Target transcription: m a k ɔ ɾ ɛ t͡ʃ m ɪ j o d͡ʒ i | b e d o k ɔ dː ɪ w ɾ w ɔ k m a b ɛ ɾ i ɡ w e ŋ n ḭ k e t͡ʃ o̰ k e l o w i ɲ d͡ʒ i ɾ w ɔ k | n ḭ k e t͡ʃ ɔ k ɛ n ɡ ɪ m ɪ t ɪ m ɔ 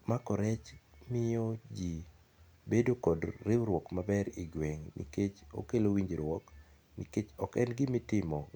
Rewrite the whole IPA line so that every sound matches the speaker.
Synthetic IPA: m a k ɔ ɾ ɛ t͡ʃ m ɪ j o d͡ʒ i | b e d o k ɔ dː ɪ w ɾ w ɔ k m a b ɛ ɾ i ɡ w e ŋ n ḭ k e t͡ʃ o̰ k e l o w i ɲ d͡ʒ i ɾ w ɔ k | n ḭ k e t͡ʃ ɔ k ɛ n ɡ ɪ m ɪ t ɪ m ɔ